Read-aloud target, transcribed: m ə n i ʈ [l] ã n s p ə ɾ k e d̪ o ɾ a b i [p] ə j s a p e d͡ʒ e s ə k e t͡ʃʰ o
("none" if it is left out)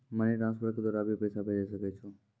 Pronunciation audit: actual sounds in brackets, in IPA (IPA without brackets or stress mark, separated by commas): ɾ, p